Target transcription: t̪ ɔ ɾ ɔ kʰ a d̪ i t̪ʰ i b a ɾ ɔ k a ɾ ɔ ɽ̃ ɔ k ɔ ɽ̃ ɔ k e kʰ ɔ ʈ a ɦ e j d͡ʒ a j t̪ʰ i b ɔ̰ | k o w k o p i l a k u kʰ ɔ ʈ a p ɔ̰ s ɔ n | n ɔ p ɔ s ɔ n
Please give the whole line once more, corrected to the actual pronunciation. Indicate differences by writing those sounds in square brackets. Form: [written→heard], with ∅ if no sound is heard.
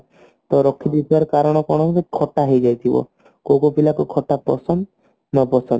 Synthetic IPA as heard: t̪ ɔ ɾ ɔ kʰ [a→i] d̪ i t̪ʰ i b a ɾ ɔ k a ɾ ɔ ɽ̃ ɔ k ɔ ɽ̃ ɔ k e kʰ ɔ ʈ a ɦ e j d͡ʒ a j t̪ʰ i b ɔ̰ | k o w k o p i l a k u kʰ ɔ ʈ a p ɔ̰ s ɔ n | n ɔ p ɔ s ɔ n

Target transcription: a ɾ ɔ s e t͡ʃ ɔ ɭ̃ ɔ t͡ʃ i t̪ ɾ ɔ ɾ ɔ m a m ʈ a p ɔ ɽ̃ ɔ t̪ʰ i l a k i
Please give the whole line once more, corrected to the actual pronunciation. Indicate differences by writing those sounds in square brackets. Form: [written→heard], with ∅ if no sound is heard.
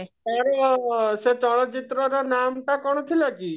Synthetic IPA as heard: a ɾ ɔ s e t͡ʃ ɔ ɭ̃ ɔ t͡ʃ i t̪ ɾ ɔ ɾ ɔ [m→n] a m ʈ a [p→k] ɔ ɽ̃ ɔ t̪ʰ i l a k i

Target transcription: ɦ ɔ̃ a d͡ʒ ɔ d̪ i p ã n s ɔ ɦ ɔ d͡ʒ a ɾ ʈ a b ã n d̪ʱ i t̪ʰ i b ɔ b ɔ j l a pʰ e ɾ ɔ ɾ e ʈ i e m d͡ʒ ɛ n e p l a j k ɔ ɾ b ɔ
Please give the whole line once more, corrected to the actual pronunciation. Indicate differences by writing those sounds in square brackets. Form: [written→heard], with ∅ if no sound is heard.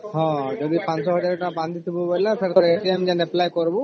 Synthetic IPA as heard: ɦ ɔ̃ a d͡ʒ ɔ d̪ i p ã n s ɔ ɦ ɔ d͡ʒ a ɾ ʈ a b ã n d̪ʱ i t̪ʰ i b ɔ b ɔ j l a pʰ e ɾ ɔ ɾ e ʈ i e m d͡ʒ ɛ n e p l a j k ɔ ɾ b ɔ

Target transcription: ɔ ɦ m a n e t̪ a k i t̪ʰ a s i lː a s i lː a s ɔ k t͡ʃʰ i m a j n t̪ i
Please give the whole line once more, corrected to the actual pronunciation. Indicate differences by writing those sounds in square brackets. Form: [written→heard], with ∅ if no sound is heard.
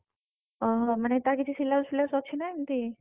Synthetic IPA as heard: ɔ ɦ m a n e t̪ a k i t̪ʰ [a→i] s i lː a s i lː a s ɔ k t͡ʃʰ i [m→n] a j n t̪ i

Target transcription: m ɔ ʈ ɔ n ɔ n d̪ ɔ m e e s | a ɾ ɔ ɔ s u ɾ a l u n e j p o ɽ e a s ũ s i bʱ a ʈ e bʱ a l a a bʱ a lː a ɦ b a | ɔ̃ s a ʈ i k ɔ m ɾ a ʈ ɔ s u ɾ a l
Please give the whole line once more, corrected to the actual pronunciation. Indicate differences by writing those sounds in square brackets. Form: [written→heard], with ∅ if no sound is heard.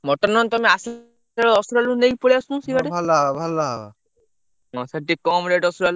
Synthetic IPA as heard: m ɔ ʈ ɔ n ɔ n [d̪→t̪] ɔ m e [e→a] s | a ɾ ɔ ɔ s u ɾ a l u n e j p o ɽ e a s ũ s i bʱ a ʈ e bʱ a l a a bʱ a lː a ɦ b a | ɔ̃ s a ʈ i k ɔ m ɾ [a→e] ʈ ɔ s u ɾ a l

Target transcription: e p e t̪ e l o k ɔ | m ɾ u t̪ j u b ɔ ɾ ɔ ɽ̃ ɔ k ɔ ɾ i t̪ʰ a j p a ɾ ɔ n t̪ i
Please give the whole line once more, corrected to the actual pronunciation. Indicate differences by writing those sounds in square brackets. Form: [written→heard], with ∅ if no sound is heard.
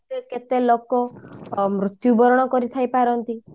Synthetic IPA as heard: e [p→k] e t̪ e l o k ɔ | m ɾ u t̪ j u b ɔ ɾ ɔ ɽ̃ ɔ k ɔ ɾ i t̪ʰ a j p a ɾ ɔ n t̪ i

